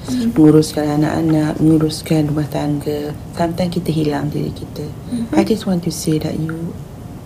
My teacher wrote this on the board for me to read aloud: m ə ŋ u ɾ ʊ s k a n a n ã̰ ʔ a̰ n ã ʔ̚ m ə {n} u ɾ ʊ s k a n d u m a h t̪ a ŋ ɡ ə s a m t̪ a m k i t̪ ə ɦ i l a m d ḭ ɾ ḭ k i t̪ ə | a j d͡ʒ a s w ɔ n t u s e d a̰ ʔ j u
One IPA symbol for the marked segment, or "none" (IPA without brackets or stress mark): ŋ